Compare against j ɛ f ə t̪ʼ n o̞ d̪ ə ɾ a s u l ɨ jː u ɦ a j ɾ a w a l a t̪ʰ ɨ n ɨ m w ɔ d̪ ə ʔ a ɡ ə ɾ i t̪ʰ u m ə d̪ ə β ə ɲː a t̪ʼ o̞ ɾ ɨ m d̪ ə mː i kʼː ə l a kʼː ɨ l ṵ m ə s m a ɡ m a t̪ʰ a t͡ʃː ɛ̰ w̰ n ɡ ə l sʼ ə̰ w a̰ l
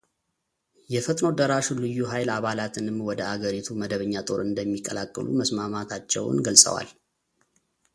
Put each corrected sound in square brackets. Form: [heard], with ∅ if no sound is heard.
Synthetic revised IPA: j ɛ f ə t̪ʼ n o̞ d̪ ə ɾ a [ʃ] u l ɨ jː u ɦ a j [l] a [β] a l a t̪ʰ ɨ n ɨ m w ɔ d̪ ə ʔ a ɡ ə ɾ i t̪ʰ u m ə d̪ ə β ə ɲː a t̪ʼ o̞ ɾ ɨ [n] d̪ ə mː i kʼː ə l a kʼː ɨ l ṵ m ə s m a [∅] m a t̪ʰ a t͡ʃː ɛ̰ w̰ n ɡ ə l sʼ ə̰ w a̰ l